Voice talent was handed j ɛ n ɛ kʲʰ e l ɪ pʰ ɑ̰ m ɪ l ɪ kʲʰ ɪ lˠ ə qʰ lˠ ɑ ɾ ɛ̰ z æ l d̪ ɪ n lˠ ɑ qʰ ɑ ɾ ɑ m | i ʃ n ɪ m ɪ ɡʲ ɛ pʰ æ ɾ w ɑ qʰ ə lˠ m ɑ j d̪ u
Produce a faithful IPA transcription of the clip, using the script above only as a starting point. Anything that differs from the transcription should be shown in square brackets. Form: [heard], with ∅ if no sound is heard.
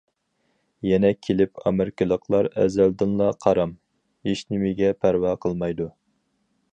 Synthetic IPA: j ɛ n ɛ kʲʰ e l ɪ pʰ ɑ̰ m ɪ [ɾ] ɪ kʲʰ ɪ lˠ ə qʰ lˠ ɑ ɾ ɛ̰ z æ l d̪ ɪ n lˠ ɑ qʰ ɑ ɾ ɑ m | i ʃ n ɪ m ɪ ɡʲ ɛ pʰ æ ɾ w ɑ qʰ ə lˠ m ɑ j d̪ u